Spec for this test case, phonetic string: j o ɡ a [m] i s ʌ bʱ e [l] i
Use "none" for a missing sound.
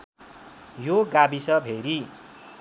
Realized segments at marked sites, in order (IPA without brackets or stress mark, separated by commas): b, ɾ